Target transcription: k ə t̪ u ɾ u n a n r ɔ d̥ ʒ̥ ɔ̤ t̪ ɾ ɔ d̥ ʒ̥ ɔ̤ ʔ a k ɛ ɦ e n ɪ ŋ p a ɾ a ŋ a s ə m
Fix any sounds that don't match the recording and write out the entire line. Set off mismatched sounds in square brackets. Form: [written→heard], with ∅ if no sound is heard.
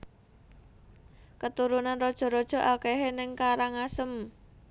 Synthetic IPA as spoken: k ə t̪ u ɾ u n a n r ɔ d̥ ʒ̥ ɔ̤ [t̪→∅] ɾ ɔ d̥ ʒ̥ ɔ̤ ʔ a k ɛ ɦ e n ɪ ŋ [p→k] a ɾ a ŋ a s ə m